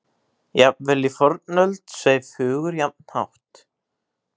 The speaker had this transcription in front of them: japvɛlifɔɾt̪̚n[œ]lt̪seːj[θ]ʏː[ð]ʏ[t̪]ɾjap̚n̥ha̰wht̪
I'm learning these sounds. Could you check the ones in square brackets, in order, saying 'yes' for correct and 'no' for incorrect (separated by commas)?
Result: yes, no, no, no